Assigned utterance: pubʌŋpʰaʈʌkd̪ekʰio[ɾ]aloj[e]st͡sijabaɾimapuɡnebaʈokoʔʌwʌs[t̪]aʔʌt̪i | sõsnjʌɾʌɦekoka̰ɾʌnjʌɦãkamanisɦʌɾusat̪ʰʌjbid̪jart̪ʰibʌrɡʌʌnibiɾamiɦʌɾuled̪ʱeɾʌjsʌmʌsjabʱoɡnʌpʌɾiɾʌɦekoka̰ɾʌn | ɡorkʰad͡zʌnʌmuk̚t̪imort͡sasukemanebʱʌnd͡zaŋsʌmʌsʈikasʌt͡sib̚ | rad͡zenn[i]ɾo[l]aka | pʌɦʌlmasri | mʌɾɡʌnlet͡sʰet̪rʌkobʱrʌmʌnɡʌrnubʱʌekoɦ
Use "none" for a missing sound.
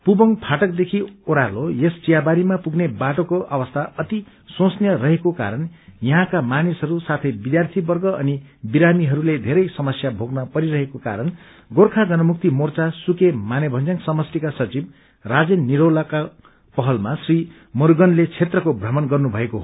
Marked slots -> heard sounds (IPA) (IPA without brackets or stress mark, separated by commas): ɾ, e, t̪ʰ, i, l